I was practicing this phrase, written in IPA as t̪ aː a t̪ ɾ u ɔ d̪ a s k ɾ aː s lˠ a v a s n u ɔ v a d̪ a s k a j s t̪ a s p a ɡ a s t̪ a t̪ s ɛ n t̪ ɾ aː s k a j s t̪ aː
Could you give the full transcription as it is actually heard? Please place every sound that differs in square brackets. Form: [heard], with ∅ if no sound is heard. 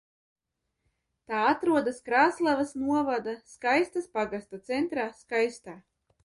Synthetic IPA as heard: t̪ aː a t̪ ɾ u ɔ d̪ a s k ɾ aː s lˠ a v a s n u ɔ v a d̪ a s k a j s t̪ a s p a ɡ a s t̪ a t̪ s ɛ n t̪ ɾ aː s k a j s t̪ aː